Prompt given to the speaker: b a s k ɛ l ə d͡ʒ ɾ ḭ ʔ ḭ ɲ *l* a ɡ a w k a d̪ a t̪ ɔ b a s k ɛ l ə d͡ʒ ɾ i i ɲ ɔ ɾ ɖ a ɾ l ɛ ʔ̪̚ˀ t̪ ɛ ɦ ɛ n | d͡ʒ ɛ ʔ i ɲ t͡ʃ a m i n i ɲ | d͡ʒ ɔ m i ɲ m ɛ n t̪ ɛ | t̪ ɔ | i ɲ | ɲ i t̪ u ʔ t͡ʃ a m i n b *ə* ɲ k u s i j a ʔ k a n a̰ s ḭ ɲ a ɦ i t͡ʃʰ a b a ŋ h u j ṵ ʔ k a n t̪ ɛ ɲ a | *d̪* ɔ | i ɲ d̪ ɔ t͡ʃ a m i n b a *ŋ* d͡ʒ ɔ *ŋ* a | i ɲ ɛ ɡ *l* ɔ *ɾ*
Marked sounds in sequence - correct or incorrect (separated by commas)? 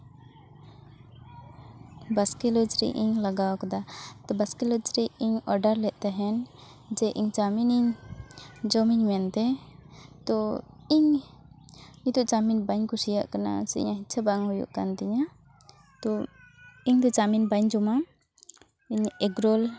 correct, incorrect, incorrect, incorrect, incorrect, incorrect, incorrect